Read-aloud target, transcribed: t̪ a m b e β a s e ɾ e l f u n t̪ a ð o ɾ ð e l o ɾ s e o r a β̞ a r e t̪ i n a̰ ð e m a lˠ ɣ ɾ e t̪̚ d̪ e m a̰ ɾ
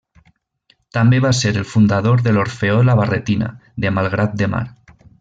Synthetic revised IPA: t̪ a m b e β a s e ɾ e l f u n d̪ a ð o ɾ ð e l o ɾ f e o l a β̞ a r e t̪ i n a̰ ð e m a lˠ ɣ ɾ a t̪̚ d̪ e m a̰ ɾ